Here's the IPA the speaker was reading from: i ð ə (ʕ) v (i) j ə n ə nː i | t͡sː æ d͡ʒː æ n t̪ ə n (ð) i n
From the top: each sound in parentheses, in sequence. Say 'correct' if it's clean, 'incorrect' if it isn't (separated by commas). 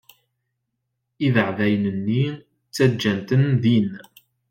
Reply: correct, incorrect, correct